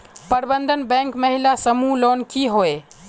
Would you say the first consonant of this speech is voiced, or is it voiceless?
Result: voiceless